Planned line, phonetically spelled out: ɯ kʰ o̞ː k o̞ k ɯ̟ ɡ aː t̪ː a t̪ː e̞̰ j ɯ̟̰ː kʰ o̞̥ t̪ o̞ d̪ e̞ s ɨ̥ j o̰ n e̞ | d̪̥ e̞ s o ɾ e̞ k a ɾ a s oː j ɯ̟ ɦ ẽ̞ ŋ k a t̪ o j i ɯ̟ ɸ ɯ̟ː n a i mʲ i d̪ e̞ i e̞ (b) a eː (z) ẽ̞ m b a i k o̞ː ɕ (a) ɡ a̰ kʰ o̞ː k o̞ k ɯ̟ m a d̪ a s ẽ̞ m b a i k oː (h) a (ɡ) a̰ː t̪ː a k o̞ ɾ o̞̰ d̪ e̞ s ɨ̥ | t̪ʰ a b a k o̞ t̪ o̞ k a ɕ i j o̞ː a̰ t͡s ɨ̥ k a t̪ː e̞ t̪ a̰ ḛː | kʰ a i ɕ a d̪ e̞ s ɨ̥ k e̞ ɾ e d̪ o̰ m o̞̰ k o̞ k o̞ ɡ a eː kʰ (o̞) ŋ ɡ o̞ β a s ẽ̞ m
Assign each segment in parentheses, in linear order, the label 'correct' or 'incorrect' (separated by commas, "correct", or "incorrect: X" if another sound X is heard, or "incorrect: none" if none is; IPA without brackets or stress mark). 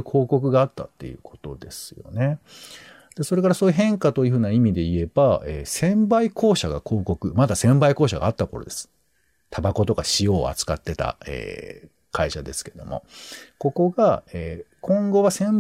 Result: correct, incorrect: s, correct, incorrect: ɕ, correct, incorrect: õ̞